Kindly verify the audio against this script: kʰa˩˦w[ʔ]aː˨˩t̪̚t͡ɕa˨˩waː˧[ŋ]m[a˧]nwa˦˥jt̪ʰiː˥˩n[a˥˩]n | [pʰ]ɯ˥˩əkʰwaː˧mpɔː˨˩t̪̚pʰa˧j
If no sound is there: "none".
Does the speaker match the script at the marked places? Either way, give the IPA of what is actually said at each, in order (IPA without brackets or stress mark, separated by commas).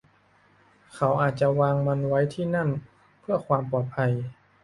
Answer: ʔ, ŋ, a˧, a˥˩, pʰ